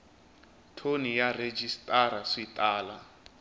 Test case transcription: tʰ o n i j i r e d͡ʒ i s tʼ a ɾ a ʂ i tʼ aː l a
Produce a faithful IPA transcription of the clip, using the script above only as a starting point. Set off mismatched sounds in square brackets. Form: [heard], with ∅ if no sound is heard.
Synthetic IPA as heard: tʰ o n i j [a] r e d͡ʒ i s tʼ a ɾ a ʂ i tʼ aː l a